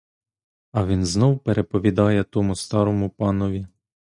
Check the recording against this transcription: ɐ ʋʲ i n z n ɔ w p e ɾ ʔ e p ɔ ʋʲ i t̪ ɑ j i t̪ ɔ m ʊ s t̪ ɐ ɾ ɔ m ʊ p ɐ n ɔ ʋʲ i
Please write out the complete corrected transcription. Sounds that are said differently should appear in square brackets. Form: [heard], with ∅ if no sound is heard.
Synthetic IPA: ɐ ʋʲ i n z n ɔ w p e ɾ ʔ e p ɔ ʋʲ i [d̪] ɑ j [ɛ] t̪ ɔ m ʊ s t̪ [ɑ] ɾ ɔ m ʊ p [ɑ] n ɔ ʋʲ i